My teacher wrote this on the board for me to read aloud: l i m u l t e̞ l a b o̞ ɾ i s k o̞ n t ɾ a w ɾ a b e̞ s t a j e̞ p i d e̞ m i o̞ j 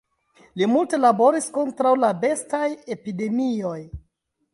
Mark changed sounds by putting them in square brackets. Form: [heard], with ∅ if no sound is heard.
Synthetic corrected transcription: l i m u l t e̞ l a b o̞ ɾ i s k o̞ n t ɾ a w [l] a b e̞ s t a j e̞ p i d e̞ m i o̞ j